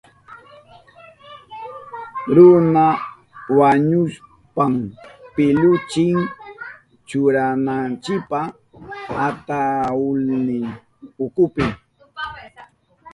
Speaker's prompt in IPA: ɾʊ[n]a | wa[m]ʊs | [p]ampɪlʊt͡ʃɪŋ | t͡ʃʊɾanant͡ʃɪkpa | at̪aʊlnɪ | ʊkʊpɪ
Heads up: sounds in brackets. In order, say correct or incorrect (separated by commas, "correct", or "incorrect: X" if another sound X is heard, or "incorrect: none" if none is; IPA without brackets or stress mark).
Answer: correct, incorrect: ɲ, correct